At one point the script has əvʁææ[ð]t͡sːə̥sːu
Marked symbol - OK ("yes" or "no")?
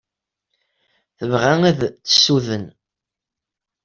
yes